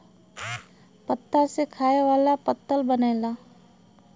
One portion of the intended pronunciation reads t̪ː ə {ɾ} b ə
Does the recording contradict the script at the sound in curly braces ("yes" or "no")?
yes